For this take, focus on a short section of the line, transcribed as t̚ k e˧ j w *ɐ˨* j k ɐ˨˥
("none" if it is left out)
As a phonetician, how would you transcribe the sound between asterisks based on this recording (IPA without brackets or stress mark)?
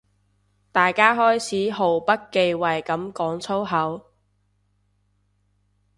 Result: ɐ˨